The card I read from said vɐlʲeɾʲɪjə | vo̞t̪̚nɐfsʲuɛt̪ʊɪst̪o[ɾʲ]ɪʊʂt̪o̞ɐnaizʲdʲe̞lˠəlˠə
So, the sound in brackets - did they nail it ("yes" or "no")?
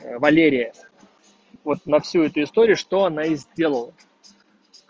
yes